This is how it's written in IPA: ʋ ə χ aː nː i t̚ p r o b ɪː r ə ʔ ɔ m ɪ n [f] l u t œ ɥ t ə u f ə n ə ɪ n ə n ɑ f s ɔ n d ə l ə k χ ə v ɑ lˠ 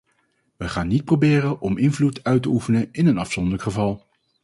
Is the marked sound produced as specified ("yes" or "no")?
no